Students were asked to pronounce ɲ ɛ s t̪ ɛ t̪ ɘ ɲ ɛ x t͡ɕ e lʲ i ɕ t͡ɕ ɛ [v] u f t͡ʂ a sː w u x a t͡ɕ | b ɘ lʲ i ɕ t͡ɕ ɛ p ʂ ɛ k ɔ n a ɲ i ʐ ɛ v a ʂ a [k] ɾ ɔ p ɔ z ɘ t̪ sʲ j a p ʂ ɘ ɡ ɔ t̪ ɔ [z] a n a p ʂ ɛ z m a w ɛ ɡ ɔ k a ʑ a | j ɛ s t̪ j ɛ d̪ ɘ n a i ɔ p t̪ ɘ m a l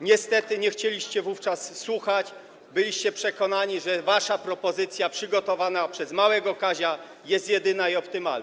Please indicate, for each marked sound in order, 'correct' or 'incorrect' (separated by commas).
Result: correct, incorrect, incorrect